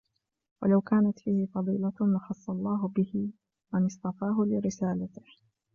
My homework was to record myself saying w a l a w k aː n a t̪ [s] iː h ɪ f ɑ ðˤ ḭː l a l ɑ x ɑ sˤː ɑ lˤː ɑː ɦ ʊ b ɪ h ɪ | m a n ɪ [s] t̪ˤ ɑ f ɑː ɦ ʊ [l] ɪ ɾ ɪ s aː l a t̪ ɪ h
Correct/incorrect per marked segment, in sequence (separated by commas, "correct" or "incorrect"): incorrect, correct, correct